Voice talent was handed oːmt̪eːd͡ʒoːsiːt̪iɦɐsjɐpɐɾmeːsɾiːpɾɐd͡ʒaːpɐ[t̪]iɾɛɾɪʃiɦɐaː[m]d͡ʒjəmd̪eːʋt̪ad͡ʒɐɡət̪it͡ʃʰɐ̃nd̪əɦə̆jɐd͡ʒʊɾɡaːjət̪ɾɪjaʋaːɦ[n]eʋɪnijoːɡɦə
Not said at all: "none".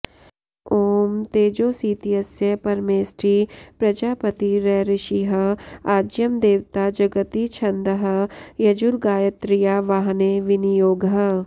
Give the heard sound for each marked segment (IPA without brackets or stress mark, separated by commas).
t̪, none, n